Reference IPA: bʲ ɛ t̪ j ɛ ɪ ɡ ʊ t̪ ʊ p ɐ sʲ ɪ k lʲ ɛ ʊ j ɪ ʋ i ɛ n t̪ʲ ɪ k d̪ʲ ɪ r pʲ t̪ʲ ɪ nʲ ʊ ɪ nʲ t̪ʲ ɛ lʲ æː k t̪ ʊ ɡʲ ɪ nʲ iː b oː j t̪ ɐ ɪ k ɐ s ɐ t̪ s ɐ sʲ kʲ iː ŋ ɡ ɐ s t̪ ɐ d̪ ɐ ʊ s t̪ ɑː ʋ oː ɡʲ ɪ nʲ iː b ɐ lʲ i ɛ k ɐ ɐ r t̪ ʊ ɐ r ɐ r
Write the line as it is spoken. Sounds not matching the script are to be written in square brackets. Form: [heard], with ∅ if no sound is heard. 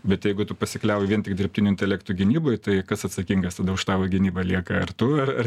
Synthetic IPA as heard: bʲ ɛ t̪ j ɛ ɪ ɡ ʊ t̪ ʊ p ɐ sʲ ɪ k lʲ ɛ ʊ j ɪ ʋ i ɛ n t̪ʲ ɪ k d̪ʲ ɪ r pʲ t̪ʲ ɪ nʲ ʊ ɪ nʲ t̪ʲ ɛ lʲ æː k t̪ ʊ ɡʲ ɪ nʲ iː b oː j t̪ ɐ ɪ k ɐ s ɐ t̪ s ɐ [∅] kʲ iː ŋ ɡ ɐ s t̪ ɐ d̪ ɐ ʊ [ʃ] t̪ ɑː ʋ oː ɡʲ ɪ nʲ iː b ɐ lʲ i ɛ k ɐ ɐ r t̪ ʊ ɐ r ɐ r